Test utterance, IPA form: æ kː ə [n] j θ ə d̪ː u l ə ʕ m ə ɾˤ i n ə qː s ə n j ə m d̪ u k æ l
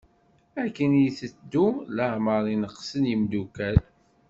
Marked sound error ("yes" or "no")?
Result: no